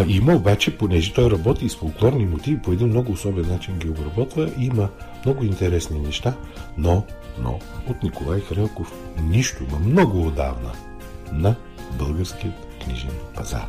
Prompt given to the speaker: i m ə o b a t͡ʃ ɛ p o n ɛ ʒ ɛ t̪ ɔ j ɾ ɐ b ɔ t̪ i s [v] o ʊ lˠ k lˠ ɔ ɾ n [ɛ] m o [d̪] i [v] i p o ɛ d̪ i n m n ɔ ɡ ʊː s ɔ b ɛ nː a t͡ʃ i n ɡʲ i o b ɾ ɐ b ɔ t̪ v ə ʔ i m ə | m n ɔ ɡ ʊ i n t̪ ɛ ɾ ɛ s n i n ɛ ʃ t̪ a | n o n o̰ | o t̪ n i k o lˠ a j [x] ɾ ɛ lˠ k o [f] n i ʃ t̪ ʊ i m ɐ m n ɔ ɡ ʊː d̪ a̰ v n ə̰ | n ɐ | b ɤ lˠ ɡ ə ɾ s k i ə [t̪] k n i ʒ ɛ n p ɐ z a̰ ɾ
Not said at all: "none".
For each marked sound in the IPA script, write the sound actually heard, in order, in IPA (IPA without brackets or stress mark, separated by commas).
f, i, t̪, v, x, f, t̪